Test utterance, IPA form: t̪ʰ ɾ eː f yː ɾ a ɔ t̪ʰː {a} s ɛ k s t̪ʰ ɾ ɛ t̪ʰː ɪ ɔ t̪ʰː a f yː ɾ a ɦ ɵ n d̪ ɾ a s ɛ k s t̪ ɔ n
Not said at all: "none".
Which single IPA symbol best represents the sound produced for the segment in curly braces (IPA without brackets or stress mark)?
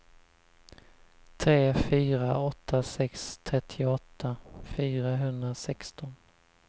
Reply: a